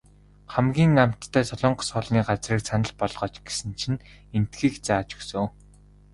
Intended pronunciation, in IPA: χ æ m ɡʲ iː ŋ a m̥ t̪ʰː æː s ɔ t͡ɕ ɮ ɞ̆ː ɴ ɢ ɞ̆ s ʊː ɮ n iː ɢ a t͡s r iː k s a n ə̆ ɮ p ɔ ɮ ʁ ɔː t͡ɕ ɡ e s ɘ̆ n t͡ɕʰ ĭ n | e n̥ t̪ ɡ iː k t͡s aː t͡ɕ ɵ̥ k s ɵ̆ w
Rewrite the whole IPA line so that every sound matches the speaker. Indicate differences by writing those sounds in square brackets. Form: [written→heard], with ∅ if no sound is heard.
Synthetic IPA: χ æ m ɡʲ iː ŋ a m̥ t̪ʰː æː s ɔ [t͡ɕ→∅] ɮ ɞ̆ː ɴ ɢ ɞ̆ s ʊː ɮ n iː ɢ a t͡s r iː k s a n ə̆ ɮ p ɔ ɮ ʁ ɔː t͡ɕ ɡ e s ɘ̆ n t͡ɕʰ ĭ n | e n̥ t̪ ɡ iː k t͡s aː t͡ɕ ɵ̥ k s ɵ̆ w